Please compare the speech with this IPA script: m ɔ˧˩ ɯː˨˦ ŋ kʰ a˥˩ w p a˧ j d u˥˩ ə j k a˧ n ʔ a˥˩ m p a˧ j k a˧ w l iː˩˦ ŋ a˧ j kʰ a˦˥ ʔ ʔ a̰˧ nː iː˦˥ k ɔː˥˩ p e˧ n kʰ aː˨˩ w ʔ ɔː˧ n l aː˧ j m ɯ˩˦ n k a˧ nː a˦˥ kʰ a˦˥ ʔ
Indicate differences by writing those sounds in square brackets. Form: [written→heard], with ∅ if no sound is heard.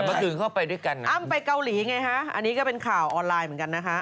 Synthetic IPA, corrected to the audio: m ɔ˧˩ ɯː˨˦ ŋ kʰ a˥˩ w p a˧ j d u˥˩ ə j k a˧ n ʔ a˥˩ m p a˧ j k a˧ w l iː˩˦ ŋ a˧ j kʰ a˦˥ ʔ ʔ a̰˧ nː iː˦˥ k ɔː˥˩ p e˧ n kʰ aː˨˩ w ʔ ɔː˧ n l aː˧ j m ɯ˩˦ n k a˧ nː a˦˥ kʰ a˦˥ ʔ